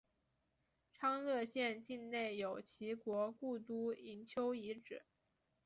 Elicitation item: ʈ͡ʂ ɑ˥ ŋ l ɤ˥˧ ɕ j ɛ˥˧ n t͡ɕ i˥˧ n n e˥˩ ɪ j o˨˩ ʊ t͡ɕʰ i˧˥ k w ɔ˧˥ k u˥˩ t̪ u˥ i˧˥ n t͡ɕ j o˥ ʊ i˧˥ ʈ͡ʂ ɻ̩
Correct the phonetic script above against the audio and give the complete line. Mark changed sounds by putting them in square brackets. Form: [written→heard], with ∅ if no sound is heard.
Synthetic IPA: [ʈ͡ʂ→ʈ͡ʂʰ] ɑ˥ ŋ l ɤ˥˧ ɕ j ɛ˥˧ n t͡ɕ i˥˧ n n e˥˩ ɪ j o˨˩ ʊ t͡ɕʰ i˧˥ k w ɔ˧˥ k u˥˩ t̪ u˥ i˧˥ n [t͡ɕ→t͡ɕʰ] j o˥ ʊ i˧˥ ʈ͡ʂ ɻ̩